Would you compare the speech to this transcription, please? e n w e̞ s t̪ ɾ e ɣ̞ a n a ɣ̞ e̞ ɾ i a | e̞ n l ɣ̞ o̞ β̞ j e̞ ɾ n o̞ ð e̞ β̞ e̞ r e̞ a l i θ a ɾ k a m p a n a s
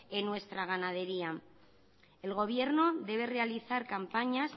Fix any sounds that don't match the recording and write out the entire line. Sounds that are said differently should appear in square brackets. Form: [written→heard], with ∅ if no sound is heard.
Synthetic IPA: e n w e̞ s t̪ ɾ [e→a] ɣ̞ a n a [ɣ̞→ð̞] e̞ ɾ i a | e̞ [n→∅] l ɣ̞ o̞ β̞ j e̞ ɾ n o̞ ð e̞ β̞ e̞ r e̞ a l i θ a ɾ k a m p a [n→ɲ] a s